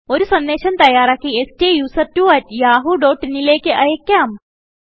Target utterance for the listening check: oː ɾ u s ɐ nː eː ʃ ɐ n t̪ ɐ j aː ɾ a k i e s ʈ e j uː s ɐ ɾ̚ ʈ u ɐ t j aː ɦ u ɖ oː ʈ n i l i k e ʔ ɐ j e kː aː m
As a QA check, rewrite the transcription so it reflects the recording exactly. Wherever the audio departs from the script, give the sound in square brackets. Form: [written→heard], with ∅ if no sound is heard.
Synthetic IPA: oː ɾ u s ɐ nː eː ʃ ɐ n t̪ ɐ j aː ɾ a k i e s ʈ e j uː s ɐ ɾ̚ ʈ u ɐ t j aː ɦ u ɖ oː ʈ n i l [i→e] k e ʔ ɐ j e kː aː m

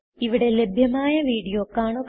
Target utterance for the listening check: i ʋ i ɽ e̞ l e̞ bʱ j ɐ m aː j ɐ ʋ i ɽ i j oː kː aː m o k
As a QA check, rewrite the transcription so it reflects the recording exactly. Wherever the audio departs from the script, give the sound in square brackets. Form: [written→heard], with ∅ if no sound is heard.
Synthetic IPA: i ʋ i ɽ e̞ l e̞ bʱ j ɐ m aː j ɐ ʋ [i→iː] ɽ i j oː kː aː [m→ɳ] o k

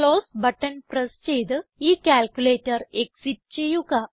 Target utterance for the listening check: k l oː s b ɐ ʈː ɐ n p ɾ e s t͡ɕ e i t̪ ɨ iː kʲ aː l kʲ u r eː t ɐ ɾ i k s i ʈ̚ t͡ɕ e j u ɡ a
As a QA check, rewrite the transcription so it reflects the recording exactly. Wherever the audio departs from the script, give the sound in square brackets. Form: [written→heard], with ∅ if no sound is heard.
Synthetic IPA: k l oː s b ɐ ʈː ɐ n p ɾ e s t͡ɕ e [i→j] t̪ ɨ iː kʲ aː l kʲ u [r→l] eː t ɐ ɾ [i→e] k s i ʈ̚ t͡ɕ e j u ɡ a

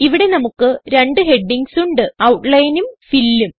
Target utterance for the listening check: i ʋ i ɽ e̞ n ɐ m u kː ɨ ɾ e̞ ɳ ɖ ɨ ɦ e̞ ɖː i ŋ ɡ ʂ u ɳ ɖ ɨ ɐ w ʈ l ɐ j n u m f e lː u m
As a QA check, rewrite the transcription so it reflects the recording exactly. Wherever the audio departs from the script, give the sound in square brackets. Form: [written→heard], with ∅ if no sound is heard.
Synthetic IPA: i ʋ i ɽ e̞ n ɐ m u kː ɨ ɾ e̞ ɳ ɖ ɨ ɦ e̞ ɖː i ŋ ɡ [ʂ→s] u ɳ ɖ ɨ ɐ w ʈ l ɐ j n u m f [e→i] lː u m

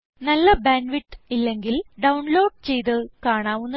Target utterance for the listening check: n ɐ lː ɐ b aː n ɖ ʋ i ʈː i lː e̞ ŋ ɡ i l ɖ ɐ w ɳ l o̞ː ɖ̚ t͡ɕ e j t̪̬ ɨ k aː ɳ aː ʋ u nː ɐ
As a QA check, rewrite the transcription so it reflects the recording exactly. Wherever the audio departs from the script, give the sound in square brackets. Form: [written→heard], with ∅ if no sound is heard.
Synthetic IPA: n ɐ lː ɐ b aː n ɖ ʋ i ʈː i lː e̞ ŋ ɡ i l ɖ ɐ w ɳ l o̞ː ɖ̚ t͡ɕ e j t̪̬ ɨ k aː ɳ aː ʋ u nː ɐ

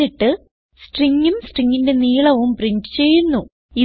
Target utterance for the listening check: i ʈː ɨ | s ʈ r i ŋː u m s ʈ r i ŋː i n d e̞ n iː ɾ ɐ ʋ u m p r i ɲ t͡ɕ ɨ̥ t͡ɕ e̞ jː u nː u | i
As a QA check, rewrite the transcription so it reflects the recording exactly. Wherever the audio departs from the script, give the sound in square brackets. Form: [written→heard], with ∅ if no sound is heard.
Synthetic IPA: i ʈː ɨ | s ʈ r i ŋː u m s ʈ r i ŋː i n d e̞ n iː [ɾ→ɭ] ɐ ʋ u m p r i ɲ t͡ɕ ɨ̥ t͡ɕ e̞ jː u nː u | i

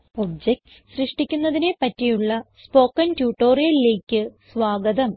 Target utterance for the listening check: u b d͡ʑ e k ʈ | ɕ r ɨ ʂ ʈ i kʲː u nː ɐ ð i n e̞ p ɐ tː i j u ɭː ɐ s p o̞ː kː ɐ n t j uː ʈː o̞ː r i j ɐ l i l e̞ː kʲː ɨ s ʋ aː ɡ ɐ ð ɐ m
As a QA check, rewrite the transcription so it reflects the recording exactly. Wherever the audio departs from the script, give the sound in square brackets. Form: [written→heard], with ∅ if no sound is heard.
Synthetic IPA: [u→o] b d͡ʑ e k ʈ | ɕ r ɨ ʂ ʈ i kʲː u nː ɐ ð i n e̞ p ɐ tː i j u ɭː ɐ s p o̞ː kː ɐ n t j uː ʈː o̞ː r i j ɐ l i l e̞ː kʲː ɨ s ʋ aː ɡ ɐ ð ɐ m

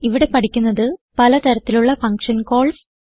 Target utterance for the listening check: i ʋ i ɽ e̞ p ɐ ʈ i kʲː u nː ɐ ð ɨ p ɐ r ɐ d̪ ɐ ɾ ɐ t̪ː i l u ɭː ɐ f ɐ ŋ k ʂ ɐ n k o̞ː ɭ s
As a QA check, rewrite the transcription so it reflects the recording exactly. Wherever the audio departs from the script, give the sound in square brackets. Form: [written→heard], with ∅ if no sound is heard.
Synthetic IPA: i ʋ i ɽ e̞ p ɐ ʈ i kʲː u nː ɐ ð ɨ p ɐ [r→l] ɐ [d̪→t̪] ɐ ɾ ɐ t̪ː i l u ɭː ɐ f ɐ ŋ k ʂ ɐ n k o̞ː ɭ s

